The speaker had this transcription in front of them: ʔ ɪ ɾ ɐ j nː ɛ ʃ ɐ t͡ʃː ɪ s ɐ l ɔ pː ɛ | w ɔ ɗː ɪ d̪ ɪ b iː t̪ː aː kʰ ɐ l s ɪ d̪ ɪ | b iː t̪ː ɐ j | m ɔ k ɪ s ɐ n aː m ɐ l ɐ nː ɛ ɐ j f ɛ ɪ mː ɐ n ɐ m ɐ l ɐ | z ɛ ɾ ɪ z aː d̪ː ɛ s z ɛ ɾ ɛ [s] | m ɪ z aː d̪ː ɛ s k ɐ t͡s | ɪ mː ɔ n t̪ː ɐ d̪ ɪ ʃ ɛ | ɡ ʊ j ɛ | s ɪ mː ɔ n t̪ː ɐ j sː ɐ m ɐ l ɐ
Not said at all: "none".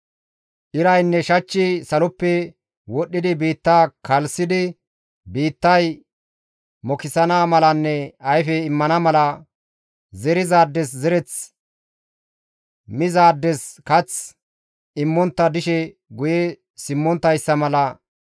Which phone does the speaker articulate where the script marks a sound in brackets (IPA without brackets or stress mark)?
t͡s